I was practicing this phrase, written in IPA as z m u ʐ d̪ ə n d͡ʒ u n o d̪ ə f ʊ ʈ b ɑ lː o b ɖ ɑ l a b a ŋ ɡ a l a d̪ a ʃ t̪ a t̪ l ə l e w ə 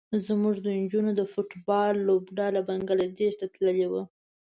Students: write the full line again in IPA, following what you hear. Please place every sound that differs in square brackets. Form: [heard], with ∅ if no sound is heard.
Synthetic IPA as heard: z m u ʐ d̪ ə n d͡ʒ u n o d̪ ə f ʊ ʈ b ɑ lː o b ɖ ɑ l a b a ŋ ɡ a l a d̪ [e] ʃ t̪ a t̪ l ə l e w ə